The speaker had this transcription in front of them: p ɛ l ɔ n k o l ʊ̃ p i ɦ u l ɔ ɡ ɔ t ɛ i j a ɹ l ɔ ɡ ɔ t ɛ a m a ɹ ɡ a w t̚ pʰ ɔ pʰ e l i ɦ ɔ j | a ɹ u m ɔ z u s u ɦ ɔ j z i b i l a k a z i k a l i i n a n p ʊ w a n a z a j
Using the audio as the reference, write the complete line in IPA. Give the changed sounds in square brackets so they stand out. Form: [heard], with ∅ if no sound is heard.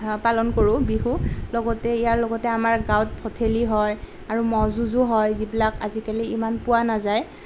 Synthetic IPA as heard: p [a] l ɔ n k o [ɹ] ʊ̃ [b] i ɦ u l ɔ ɡ ɔ t ɛ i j a ɹ l ɔ ɡ ɔ t ɛ a m a ɹ ɡ a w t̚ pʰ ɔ [tʰ] e l i ɦ ɔ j | a ɹ u m ɔ z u [z] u ɦ ɔ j z i b i l a k a z i k a l i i [m] a n p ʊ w a n a z a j